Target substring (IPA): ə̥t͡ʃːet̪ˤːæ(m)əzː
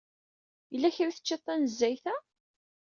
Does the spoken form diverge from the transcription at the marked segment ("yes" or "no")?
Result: yes